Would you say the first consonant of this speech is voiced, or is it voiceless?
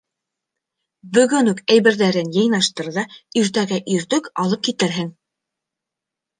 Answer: voiced